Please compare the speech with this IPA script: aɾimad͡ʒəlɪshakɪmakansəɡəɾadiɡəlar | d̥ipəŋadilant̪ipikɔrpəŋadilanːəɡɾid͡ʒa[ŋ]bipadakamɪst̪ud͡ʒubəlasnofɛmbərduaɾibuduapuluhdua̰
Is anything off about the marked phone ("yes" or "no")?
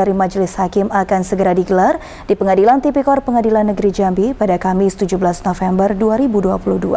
yes